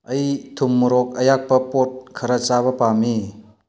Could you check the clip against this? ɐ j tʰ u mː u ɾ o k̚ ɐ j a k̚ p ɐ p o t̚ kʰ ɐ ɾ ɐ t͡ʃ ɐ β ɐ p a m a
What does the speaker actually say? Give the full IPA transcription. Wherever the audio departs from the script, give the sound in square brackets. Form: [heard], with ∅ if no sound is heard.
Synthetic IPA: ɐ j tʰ u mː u ɾ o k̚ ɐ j a k̚ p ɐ p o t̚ kʰ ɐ ɾ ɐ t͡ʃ [a] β ɐ p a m [i]